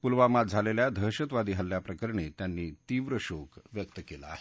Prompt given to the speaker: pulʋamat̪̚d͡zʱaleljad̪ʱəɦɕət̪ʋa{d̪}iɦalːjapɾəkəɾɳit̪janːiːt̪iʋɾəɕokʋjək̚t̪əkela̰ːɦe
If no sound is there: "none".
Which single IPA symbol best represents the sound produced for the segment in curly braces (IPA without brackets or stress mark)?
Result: d̪